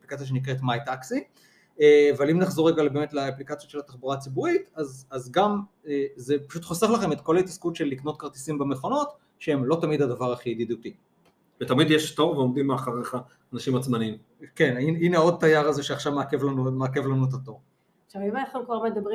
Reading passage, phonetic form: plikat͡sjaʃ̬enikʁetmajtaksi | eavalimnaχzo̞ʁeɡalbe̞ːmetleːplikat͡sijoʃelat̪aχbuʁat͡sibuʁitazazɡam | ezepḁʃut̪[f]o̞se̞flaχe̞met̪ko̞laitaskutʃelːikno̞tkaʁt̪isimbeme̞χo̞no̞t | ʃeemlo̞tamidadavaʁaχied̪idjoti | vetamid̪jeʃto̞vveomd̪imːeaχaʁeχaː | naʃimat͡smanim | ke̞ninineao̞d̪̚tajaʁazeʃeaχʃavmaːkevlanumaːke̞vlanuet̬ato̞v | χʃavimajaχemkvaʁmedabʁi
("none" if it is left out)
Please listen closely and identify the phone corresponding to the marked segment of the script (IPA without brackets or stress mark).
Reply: χ